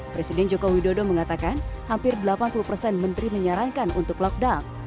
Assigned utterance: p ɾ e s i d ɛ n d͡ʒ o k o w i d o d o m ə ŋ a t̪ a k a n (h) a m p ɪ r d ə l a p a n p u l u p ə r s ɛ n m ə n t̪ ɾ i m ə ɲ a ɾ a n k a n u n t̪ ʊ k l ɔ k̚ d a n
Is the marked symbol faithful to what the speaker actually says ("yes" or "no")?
yes